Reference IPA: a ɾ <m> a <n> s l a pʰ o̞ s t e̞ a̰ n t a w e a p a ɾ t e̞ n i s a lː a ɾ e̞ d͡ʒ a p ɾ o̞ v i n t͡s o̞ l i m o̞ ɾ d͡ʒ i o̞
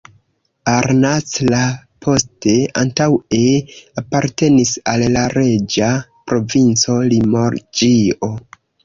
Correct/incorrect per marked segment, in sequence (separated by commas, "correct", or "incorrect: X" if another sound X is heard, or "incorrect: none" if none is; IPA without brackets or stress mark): incorrect: n, incorrect: none